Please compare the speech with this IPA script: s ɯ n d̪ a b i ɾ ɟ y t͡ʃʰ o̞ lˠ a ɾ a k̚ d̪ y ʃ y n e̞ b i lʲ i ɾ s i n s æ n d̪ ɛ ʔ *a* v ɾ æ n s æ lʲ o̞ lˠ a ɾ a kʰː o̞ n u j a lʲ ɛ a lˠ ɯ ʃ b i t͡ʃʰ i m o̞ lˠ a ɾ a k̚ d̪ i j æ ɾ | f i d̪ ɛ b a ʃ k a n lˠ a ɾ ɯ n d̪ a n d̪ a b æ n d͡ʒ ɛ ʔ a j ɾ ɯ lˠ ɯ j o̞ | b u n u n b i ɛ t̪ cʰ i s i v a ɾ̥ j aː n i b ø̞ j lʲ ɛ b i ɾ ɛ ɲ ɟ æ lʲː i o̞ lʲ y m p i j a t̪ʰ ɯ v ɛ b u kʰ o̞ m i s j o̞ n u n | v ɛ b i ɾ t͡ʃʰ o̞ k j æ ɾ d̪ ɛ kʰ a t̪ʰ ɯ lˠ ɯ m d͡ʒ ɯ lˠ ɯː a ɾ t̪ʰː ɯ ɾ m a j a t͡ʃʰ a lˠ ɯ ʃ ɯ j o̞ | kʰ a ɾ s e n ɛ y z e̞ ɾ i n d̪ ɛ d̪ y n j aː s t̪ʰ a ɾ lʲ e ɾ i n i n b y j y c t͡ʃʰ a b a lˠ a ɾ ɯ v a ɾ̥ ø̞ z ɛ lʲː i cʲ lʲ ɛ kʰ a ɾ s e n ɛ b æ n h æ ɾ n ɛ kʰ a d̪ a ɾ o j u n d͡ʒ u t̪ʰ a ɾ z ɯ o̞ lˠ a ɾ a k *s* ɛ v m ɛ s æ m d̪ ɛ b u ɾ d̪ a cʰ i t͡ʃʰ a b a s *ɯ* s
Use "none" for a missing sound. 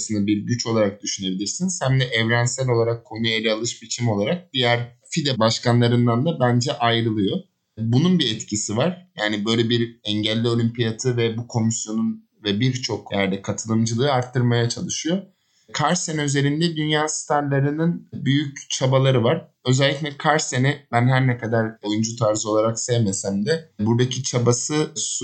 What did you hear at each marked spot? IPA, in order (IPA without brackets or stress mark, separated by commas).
ɛ, s, ɯ